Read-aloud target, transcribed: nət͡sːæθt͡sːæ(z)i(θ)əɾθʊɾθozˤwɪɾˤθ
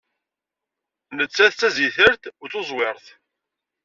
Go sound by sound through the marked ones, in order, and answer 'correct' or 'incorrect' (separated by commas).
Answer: correct, correct